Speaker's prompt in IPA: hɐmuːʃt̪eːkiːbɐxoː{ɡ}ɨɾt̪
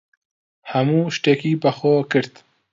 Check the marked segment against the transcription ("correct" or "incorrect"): incorrect